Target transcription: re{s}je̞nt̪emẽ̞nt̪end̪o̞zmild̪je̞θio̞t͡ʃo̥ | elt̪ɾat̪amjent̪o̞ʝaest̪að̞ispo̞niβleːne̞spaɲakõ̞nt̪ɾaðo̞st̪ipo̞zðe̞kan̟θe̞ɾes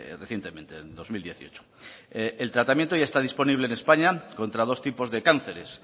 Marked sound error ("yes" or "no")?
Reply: yes